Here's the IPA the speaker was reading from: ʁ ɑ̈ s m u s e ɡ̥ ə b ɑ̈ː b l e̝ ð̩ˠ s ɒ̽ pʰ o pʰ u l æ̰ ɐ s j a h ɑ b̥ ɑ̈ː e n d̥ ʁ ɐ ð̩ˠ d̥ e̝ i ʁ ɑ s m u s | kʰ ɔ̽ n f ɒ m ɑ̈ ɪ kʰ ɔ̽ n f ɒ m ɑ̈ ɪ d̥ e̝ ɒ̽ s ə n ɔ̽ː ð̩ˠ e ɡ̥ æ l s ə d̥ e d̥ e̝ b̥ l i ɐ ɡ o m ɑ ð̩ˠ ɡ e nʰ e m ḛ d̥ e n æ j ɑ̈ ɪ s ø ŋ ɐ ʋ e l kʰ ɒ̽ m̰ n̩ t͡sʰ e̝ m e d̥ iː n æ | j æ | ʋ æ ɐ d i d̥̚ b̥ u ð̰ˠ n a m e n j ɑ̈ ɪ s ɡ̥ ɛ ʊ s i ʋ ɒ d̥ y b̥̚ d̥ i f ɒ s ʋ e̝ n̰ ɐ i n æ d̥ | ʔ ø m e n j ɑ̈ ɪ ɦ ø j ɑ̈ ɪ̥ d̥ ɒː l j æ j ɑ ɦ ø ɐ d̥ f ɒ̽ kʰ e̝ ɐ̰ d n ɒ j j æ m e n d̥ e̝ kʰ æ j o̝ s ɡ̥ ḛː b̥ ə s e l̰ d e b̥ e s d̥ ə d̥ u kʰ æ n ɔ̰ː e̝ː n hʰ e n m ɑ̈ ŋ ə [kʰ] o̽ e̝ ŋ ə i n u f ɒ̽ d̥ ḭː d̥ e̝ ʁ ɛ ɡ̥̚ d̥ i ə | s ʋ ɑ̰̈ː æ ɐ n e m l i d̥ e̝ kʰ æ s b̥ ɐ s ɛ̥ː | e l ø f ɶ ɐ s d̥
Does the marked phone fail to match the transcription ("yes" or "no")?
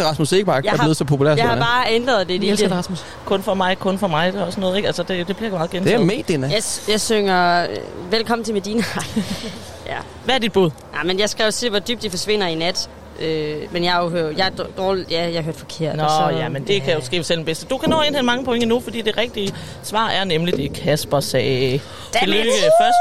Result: yes